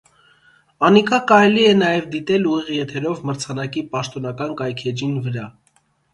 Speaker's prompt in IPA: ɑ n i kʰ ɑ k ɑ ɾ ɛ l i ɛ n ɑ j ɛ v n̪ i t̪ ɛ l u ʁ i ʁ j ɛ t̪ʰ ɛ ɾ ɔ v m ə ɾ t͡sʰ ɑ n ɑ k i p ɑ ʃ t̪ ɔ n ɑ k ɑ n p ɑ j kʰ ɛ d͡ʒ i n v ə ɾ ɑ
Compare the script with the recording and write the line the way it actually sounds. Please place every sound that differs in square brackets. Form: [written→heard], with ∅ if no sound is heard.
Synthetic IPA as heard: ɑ n i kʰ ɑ k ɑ ɾ ɛ l i ɛ n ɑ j ɛ v [n̪→d̪] i t̪ ɛ l u ʁ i ʁ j ɛ t̪ʰ ɛ ɾ ɔ v m ə ɾ t͡sʰ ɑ n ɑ k i p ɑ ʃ t̪ ɔ n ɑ k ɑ n [p→k] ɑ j kʰ ɛ d͡ʒ i n v ə ɾ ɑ

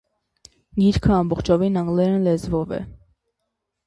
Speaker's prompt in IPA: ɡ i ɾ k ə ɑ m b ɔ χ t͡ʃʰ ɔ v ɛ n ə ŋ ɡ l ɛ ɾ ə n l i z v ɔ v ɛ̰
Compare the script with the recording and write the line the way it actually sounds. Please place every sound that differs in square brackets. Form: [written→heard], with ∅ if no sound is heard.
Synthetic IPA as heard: ɡ i ɾ [k→kʰ] ə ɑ m b ɔ χ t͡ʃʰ ɔ v [ɛ→i] n [ə→ɑ] ŋ ɡ l ɛ ɾ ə n l [i→ɛ] z v ɔ v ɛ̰

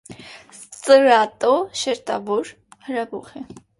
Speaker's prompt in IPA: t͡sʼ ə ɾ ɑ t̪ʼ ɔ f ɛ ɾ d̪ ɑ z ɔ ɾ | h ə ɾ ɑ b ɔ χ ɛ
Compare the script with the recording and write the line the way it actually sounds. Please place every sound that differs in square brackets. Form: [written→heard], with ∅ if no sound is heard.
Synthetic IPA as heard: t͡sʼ ə ɾ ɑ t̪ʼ ɔ [f→ʃ] ɛ ɾ [d̪→t̪] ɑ [z→v] ɔ ɾ | h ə ɾ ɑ b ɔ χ ɛ

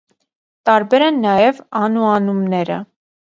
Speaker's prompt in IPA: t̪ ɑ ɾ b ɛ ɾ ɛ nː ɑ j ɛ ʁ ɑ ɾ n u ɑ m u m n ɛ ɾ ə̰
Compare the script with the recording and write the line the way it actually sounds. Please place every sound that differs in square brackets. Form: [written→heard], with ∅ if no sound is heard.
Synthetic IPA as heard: t̪ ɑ ɾ b ɛ ɾ ɛ nː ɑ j ɛ [ʁ→v] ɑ [ɾ→∅] n u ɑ [m→n] u m n ɛ ɾ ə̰

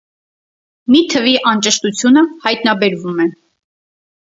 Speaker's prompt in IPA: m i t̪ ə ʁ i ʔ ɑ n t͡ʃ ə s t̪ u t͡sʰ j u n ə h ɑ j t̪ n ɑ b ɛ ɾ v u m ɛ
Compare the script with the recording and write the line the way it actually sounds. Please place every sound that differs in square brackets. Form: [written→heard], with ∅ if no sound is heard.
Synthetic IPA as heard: m i [t̪→t̪ʰ] ə [ʁ→v] i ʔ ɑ n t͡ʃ ə [s→ʃ] t̪ u t͡sʰ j u n ə h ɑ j t̪ n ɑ b ɛ ɾ v u m ɛ

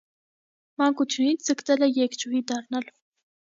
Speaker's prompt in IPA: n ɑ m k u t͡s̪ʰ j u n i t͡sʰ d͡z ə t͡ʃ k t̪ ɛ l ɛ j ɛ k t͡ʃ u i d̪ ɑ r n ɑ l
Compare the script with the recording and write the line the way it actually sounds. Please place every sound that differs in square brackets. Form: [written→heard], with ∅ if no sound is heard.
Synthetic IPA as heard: [n→m] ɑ [m→ŋ] k u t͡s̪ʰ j u n i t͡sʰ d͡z ə [t͡ʃ→∅] k t̪ ɛ l ɛ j ɛ k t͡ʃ u i d̪ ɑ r n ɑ l

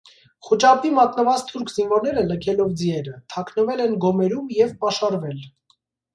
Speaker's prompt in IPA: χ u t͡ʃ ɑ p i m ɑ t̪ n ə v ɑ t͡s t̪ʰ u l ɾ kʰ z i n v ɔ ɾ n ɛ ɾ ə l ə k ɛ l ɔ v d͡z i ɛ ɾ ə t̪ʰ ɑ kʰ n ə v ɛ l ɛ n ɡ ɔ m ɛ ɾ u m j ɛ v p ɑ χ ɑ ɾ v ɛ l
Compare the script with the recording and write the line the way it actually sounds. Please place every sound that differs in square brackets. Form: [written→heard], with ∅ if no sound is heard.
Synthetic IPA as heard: χ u t͡ʃ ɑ p i m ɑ t̪ n ə v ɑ t͡s t̪ʰ u [l→∅] ɾ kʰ z i n v ɔ ɾ n ɛ ɾ ə l ə [k→kʰ] ɛ l ɔ v d͡z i ɛ ɾ ə t̪ʰ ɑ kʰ n ə v ɛ l ɛ n ɡ ɔ m ɛ ɾ u m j ɛ v p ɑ [χ→ʃ] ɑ ɾ v ɛ l

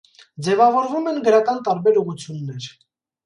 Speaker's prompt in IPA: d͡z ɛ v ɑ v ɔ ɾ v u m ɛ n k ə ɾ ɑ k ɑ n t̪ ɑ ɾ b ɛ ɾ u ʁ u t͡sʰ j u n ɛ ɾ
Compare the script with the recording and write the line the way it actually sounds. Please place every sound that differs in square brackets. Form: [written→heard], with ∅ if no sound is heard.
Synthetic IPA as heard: d͡z ɛ v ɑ v ɔ ɾ v u m ɛ n [k→ɡ] ə ɾ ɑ k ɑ n t̪ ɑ ɾ b ɛ ɾ u ʁ u t͡sʰ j u [n→nː] ɛ ɾ

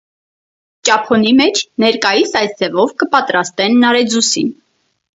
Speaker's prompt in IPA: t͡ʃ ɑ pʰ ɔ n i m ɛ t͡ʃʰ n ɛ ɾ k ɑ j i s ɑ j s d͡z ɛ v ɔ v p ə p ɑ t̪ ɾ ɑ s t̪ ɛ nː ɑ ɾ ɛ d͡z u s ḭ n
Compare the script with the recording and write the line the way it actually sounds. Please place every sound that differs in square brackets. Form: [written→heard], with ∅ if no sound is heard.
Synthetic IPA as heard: t͡ʃ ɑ pʰ ɔ n i m ɛ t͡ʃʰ n ɛ ɾ k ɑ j i s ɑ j s d͡z ɛ v ɔ v [p→k] ə p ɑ t̪ ɾ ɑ s t̪ ɛ nː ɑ ɾ ɛ d͡z u s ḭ n

